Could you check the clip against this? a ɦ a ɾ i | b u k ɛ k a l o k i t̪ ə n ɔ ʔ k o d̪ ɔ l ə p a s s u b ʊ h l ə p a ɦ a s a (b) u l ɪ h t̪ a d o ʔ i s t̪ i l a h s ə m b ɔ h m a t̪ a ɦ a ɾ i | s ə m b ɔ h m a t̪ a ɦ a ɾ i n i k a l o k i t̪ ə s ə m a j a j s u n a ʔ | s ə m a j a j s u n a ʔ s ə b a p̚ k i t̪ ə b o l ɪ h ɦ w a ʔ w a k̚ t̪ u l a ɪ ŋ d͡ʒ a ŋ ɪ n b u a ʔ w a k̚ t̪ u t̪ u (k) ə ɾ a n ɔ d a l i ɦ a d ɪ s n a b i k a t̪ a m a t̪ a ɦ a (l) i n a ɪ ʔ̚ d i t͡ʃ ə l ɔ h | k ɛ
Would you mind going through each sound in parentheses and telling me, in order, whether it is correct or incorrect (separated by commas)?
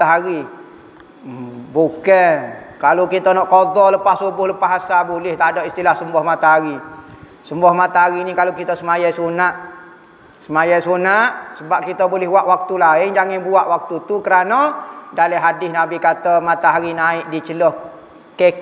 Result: correct, correct, incorrect